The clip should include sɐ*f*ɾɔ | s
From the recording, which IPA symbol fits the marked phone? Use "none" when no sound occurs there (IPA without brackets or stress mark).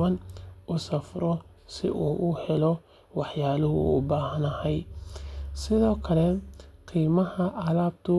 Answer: f